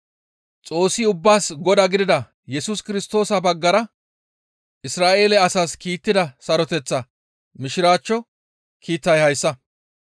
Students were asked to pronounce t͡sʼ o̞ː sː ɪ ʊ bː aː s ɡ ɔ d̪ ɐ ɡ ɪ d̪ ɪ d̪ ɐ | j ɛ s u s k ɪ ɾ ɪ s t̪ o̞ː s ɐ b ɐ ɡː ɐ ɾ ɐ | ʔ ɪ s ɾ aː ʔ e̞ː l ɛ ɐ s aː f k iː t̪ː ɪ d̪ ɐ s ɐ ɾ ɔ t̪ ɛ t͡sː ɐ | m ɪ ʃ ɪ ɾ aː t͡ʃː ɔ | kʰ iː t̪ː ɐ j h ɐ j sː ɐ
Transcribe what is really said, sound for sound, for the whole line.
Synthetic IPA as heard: t͡sʼ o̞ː sː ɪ ʊ bː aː s ɡ ɔ d̪ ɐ ɡ ɪ d̪ ɪ d̪ ɐ | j ɛ s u s k ɪ ɾ ɪ s t̪ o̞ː s ɐ b ɐ ɡː ɐ ɾ ɐ | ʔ ɪ s ɾ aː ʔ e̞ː l ɛ ɐ s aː s k iː t̪ː ɪ d̪ ɐ s ɐ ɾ ɔ t̪ ɛ t͡sː ɐ | m ɪ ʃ ɪ ɾ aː t͡ʃː ɔ | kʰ iː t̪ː ɐ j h ɐ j sː ɐ

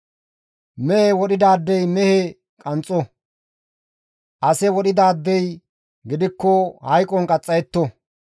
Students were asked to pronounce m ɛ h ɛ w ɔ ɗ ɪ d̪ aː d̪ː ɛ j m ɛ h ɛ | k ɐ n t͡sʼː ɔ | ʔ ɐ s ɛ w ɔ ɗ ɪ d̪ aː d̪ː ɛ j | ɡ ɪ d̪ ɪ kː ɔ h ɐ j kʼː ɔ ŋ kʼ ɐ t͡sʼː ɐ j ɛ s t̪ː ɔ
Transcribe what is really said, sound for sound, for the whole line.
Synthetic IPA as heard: m ɛ h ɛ w ɔ ɗ ɪ d̪ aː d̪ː ɛ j m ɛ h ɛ | kʼ ɐ n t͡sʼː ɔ | ʔ ɐ s ɛ w ɔ ɗ ɪ d̪ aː d̪ː ɛ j | ɡ ɪ d̪ ɪ kː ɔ h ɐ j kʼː ɔ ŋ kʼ ɐ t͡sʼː ɐ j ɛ t̪ː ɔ

